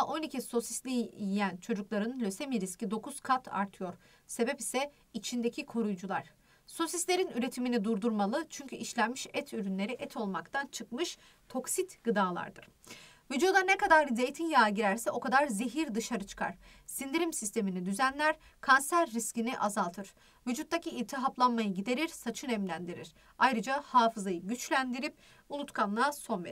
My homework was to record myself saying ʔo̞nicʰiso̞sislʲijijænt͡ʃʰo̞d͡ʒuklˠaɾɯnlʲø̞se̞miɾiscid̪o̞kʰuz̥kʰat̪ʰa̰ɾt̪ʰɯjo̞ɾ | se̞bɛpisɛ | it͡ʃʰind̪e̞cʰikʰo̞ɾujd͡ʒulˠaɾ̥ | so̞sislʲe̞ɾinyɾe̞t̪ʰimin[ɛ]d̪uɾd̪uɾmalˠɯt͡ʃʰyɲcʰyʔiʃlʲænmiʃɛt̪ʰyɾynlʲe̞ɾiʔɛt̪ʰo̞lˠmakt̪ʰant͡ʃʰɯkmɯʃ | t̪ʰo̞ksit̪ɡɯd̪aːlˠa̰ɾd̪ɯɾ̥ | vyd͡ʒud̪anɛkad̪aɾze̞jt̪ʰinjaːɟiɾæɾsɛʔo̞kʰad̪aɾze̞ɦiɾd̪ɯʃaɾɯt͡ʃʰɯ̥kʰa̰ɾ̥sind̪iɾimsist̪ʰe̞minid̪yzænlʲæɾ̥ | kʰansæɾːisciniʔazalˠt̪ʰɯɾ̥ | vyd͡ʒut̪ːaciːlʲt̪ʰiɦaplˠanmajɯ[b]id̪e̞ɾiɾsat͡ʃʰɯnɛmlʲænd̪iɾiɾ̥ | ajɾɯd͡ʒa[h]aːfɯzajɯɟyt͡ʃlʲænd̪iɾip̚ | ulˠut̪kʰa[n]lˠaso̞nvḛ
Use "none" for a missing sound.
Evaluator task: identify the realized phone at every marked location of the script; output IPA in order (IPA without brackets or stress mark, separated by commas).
i, ɟ, h, n